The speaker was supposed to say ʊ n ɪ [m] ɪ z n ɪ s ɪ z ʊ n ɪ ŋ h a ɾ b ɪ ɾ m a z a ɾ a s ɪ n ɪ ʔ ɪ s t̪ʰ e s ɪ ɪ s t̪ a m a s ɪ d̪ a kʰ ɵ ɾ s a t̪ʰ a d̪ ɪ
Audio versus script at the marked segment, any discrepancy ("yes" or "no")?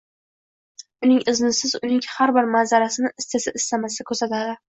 yes